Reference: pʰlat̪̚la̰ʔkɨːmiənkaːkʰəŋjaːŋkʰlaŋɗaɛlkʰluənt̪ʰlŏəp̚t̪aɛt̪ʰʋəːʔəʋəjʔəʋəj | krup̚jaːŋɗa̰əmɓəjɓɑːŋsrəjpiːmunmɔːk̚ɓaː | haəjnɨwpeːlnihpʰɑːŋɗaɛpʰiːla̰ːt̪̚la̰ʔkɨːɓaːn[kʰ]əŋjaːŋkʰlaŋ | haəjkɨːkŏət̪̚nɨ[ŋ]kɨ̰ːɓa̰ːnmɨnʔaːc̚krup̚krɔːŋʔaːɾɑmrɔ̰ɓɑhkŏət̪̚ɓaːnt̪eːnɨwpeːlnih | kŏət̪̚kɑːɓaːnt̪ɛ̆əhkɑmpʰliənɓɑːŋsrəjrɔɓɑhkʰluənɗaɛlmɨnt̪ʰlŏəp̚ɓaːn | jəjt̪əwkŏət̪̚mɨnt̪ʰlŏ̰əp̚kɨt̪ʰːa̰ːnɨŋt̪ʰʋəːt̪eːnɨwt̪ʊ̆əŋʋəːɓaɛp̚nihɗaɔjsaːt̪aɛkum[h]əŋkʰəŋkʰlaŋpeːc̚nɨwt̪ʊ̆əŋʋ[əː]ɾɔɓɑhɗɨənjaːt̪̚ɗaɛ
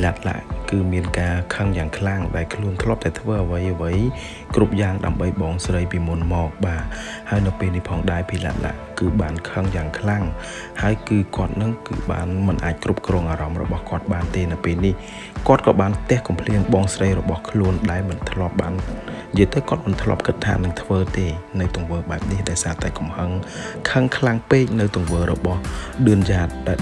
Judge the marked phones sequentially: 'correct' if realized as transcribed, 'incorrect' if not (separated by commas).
correct, correct, correct, correct